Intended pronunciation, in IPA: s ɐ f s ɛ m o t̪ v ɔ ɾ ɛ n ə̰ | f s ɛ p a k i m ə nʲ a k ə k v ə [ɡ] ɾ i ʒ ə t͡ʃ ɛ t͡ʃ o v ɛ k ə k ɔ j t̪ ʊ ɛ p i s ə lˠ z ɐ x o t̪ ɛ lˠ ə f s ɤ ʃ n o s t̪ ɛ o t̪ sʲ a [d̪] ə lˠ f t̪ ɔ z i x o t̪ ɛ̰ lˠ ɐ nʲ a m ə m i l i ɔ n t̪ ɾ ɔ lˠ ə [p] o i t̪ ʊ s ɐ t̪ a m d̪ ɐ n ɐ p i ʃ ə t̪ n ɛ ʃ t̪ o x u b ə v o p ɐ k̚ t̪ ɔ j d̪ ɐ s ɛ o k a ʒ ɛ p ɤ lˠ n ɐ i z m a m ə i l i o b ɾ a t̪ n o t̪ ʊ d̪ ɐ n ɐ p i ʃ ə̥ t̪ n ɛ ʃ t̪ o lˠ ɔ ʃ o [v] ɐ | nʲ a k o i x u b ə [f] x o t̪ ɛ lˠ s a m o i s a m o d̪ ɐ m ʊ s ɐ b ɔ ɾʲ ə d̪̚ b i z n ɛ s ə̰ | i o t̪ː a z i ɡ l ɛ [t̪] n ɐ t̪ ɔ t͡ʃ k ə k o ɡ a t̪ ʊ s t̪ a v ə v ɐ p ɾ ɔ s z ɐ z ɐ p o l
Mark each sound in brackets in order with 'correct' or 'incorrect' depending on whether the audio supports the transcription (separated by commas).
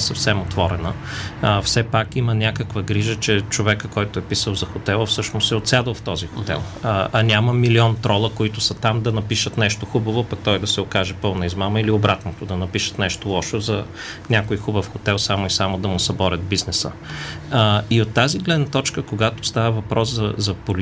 correct, correct, incorrect, incorrect, correct, incorrect